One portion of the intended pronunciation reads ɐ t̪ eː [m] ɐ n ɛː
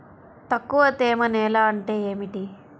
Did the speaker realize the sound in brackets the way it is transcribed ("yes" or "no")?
yes